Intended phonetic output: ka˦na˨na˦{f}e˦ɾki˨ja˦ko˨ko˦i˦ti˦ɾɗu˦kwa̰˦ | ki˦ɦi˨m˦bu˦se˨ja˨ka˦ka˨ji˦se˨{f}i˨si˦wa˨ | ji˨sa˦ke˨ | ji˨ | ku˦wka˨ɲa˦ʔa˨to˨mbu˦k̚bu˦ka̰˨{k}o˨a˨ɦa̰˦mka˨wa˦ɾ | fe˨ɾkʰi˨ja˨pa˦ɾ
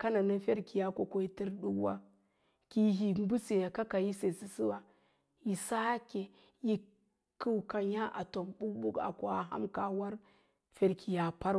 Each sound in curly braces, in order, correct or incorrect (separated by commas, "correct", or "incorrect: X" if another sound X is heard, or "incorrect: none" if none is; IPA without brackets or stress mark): correct, incorrect: s, correct